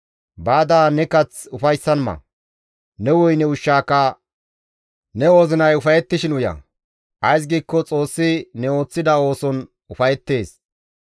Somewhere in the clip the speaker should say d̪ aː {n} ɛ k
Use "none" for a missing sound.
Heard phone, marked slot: n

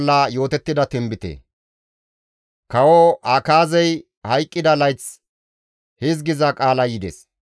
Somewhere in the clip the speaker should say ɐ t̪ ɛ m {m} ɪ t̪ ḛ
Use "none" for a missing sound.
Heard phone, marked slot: b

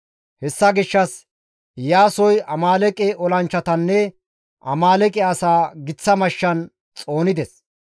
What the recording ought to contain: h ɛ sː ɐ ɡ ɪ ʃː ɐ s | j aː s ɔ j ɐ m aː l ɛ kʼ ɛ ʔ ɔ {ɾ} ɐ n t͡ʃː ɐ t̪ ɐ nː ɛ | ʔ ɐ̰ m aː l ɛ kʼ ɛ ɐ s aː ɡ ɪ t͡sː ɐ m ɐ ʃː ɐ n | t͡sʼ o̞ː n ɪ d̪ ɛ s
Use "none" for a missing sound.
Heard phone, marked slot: l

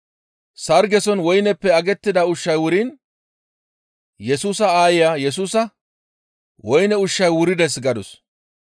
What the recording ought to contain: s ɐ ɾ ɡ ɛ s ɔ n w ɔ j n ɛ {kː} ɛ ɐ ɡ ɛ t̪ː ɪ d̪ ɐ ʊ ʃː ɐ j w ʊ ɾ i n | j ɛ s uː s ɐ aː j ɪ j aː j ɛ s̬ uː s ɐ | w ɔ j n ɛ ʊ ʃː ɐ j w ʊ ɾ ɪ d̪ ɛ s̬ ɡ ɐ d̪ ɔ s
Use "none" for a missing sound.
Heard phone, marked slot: pː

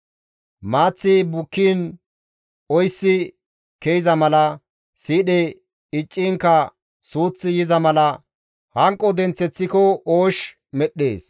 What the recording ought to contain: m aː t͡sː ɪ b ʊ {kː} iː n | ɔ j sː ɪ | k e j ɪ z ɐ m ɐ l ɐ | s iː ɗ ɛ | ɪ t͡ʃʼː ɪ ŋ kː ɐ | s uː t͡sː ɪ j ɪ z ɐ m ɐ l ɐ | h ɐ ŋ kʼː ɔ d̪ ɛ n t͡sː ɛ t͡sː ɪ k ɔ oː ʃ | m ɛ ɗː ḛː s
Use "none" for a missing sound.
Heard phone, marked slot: kː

